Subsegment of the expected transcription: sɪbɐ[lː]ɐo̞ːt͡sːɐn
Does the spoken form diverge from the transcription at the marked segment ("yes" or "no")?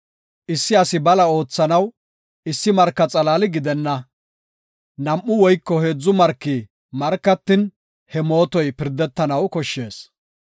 yes